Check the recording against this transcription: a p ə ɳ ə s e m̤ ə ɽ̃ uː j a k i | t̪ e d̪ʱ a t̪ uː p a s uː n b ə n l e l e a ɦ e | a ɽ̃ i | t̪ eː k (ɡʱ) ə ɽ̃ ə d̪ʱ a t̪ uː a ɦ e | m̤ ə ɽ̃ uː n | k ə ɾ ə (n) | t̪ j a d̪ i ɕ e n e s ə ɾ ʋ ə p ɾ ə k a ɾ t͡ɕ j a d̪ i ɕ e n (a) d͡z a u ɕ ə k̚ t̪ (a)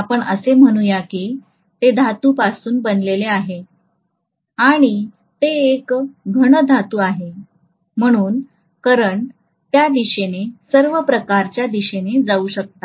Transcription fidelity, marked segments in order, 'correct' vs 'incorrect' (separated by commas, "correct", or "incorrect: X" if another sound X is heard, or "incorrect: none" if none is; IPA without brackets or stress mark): correct, incorrect: ɳ, incorrect: e, correct